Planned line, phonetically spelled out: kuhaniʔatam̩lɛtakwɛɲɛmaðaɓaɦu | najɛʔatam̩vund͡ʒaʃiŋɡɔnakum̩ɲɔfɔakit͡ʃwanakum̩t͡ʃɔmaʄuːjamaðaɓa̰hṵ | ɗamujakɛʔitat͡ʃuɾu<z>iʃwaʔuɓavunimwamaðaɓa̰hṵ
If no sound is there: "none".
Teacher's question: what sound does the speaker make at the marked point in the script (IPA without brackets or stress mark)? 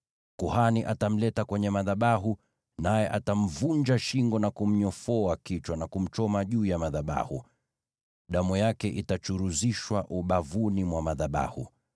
z